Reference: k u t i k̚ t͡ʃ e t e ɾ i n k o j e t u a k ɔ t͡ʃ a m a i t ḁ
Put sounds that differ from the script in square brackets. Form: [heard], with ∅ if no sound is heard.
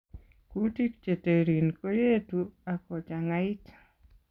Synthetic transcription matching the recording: k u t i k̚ t͡ʃ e t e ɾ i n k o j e t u a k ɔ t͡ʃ a [ŋ] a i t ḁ